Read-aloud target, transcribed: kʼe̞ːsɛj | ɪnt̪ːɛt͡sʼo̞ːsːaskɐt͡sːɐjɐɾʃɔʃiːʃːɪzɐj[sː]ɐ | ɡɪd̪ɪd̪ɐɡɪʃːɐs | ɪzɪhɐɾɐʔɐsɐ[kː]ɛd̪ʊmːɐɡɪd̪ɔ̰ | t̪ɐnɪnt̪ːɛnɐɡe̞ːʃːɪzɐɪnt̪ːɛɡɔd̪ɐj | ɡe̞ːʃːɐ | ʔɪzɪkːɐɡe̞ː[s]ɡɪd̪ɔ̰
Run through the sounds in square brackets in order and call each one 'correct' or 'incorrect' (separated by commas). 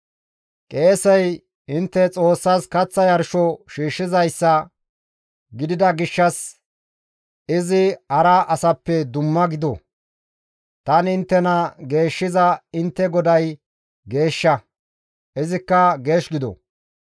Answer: correct, incorrect, incorrect